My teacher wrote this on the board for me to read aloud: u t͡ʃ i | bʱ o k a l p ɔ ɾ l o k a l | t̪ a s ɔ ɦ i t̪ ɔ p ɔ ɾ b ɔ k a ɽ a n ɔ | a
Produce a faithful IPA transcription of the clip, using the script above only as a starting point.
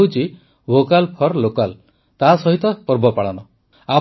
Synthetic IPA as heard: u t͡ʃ i | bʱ o k a l pʰ ɔ ɾ l o k a l | t̪ a s ɔ ɦ i t̪ ɔ p ɔ ɾ b ɔ p a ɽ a n ɔ | a